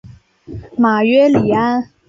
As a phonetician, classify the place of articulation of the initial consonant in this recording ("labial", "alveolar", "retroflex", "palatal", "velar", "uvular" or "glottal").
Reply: labial